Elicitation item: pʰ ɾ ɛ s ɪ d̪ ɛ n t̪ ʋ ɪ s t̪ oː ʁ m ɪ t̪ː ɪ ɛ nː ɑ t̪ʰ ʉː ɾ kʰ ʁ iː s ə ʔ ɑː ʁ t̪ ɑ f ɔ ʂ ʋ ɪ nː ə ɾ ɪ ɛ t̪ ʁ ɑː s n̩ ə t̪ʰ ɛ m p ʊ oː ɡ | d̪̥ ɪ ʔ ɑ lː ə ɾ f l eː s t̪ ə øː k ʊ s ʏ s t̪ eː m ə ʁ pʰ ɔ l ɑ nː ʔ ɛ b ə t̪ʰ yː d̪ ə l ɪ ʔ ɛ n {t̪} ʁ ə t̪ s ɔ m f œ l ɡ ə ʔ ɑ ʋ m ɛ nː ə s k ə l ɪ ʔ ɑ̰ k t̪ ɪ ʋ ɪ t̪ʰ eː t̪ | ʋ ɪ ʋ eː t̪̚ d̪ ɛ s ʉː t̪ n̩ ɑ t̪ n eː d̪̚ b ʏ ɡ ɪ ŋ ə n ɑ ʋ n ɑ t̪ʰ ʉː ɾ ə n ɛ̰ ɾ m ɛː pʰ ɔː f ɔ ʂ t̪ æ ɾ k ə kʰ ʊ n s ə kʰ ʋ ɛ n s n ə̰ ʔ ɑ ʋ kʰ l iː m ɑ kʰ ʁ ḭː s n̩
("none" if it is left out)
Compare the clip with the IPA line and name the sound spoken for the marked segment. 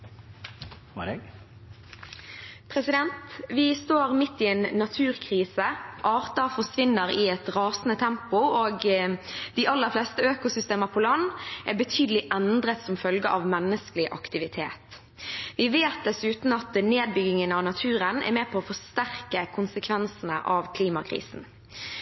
d̪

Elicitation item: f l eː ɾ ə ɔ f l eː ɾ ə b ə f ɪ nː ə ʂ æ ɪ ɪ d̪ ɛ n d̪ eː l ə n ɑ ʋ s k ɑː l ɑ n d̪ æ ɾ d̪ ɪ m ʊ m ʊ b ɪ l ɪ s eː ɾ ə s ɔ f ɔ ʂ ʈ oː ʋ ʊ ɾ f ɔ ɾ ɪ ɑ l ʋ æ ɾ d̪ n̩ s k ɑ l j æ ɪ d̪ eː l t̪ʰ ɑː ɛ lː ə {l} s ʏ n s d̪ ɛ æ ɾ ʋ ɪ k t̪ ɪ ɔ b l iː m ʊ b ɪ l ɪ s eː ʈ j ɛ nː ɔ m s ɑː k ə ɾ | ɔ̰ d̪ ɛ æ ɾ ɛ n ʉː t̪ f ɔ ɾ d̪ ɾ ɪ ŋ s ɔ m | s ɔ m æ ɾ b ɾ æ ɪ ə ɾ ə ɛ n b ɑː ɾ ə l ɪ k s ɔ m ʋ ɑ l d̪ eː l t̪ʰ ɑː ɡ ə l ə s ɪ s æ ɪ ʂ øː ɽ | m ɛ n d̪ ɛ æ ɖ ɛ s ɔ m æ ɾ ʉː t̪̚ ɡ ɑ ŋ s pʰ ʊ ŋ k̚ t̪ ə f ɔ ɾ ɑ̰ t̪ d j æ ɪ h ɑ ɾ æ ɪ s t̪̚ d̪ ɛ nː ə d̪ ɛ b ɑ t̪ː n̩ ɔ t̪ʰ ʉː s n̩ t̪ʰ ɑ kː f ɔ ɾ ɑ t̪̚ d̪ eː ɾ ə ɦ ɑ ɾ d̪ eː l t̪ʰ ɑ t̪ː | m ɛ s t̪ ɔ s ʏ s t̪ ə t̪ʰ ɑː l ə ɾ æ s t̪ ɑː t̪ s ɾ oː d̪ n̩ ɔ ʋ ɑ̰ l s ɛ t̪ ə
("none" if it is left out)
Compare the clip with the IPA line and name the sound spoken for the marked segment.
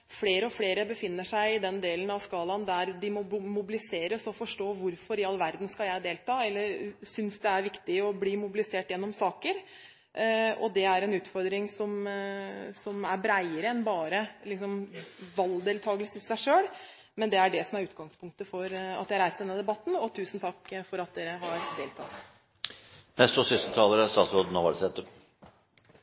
ɾ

